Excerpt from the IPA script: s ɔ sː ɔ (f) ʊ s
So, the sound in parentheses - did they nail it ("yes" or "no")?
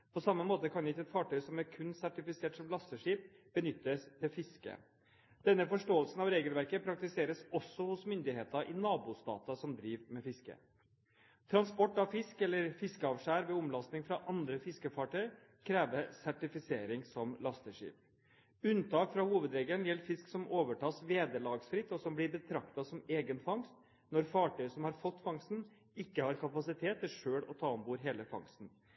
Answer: no